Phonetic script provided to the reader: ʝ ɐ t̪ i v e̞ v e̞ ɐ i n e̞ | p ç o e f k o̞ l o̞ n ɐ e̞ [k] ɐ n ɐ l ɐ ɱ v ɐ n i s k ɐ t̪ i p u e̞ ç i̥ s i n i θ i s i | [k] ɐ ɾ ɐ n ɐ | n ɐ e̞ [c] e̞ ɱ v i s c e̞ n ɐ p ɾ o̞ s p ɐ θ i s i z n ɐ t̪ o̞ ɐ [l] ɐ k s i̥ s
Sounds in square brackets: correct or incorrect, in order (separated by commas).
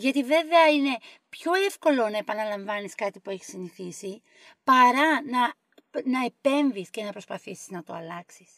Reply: incorrect, incorrect, incorrect, correct